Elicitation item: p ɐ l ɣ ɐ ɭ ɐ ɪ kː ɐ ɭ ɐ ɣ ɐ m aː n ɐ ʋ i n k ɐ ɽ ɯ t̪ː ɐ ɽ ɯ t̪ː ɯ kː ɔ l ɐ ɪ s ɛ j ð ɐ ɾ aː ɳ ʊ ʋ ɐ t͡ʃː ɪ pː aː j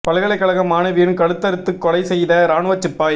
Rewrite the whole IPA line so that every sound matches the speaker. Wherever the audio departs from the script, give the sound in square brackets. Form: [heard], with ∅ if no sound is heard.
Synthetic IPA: p ɐ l ɣ ɐ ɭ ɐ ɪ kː ɐ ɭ ɐ ɣ ɐ m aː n ɐ ʋ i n k ɐ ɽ ɯ t̪ː ɐ [ɾ] ɯ t̪ː ɯ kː ɔ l ɐ ɪ s ɛ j ð ɐ ɾ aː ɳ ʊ ʋ ɐ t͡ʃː ɪ pː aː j